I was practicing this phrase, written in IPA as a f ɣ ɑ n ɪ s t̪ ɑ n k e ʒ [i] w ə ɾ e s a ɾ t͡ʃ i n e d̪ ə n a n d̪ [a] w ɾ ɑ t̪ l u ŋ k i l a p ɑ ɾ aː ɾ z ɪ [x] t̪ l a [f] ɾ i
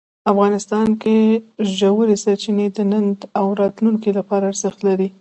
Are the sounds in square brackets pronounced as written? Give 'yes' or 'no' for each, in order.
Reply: no, yes, yes, no

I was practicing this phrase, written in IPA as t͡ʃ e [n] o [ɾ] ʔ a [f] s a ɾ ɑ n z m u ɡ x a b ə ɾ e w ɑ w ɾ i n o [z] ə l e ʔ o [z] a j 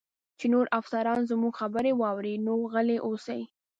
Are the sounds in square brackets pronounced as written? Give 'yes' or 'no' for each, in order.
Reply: yes, yes, yes, no, no

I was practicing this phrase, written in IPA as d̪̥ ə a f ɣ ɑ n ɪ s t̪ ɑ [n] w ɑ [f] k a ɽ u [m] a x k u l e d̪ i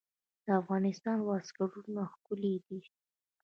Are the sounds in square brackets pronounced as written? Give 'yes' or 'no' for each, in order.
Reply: yes, no, no

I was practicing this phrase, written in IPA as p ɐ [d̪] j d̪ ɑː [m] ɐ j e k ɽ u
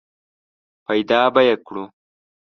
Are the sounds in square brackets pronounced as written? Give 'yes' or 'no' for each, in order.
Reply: no, no

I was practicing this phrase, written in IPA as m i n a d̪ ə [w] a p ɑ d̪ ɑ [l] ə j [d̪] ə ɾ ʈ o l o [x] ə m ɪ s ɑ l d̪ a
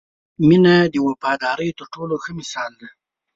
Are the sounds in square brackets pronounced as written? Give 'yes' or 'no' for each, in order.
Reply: yes, no, no, yes

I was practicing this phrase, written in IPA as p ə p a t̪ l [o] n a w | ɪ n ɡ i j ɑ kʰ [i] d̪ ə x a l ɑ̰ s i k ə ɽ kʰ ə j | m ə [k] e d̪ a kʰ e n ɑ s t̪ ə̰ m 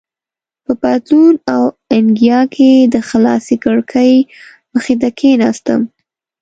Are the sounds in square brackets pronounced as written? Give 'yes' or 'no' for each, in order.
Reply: no, no, no

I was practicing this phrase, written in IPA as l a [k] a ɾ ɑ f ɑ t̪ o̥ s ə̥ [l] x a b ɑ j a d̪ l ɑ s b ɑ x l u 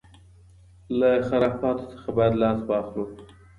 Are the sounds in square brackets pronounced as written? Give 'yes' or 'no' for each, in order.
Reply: no, no

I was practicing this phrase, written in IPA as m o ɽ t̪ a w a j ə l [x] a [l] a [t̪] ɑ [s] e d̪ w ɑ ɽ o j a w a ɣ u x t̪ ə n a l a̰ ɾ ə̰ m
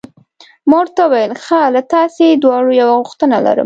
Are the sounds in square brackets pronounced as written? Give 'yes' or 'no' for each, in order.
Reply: yes, yes, yes, yes

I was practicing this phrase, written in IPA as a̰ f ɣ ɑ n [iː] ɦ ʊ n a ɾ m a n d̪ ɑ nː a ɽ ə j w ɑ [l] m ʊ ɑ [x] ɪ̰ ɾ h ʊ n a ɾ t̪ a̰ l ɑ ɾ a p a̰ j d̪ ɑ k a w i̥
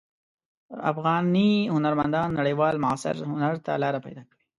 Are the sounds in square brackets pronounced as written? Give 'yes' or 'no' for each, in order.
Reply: no, yes, no

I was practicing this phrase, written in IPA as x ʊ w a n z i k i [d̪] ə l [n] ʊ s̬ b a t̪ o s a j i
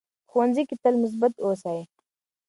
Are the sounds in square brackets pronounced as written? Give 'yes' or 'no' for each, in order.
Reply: no, no

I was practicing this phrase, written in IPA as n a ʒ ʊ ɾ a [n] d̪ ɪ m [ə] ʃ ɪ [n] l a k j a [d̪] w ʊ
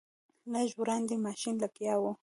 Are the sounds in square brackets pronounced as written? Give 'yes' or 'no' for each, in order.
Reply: yes, no, yes, no

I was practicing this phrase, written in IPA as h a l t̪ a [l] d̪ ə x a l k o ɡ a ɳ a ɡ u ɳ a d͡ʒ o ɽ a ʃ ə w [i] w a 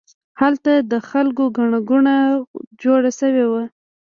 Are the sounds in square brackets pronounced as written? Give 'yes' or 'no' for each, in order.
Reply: no, no

